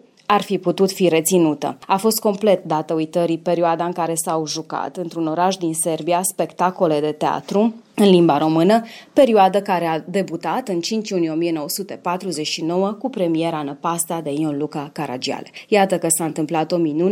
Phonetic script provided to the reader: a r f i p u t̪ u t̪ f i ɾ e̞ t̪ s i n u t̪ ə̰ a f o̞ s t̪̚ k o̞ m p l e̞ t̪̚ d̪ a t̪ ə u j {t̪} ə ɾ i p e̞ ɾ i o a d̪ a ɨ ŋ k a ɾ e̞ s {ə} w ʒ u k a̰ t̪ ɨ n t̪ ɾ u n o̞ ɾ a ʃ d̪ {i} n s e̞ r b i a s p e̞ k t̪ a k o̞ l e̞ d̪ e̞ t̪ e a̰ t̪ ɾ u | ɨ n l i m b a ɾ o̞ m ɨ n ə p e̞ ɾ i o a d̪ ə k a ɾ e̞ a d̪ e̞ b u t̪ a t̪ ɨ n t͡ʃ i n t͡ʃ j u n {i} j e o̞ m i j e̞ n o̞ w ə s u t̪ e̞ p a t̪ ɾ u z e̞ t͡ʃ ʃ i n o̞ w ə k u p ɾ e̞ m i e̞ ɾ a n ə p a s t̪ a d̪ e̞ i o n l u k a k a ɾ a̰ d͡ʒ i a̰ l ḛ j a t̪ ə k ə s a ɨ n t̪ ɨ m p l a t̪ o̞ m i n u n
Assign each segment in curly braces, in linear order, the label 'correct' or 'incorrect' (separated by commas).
correct, incorrect, correct, correct